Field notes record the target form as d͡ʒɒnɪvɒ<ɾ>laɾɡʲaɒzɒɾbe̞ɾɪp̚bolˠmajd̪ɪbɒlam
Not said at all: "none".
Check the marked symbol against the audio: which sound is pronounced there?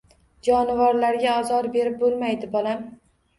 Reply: ɾ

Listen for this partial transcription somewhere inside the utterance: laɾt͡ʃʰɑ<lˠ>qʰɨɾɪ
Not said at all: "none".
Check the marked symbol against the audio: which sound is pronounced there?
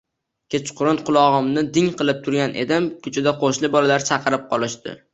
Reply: none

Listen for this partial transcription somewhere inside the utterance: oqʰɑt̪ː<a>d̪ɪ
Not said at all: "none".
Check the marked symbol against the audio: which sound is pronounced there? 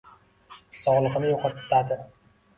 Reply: a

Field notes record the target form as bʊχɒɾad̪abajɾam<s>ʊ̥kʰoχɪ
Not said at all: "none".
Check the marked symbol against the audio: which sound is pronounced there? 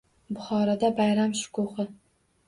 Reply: ʃ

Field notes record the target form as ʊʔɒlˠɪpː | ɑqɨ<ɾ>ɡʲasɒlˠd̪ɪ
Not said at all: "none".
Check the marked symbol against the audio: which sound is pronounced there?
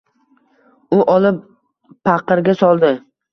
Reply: ɾ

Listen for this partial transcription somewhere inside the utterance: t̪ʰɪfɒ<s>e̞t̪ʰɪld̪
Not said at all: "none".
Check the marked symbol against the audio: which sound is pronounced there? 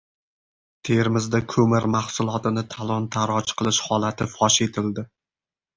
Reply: ʃ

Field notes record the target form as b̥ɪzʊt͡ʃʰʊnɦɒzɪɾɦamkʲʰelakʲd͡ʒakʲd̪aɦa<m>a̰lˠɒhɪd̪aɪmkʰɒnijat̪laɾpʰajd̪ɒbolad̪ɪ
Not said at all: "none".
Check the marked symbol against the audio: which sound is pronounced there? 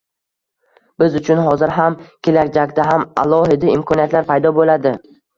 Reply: m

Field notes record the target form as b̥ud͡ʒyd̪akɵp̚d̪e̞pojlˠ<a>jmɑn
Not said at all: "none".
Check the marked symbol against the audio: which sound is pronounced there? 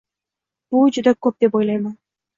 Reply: ɑ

